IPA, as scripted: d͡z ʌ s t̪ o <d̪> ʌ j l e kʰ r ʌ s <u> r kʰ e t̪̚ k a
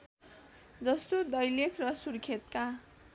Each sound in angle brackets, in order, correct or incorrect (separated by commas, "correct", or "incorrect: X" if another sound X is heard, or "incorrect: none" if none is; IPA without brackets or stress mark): correct, correct